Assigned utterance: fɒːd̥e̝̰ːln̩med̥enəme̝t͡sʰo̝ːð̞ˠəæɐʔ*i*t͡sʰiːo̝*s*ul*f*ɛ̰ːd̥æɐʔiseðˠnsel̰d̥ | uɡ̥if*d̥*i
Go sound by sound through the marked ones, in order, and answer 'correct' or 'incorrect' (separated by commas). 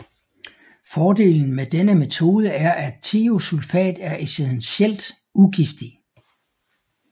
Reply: incorrect, correct, correct, correct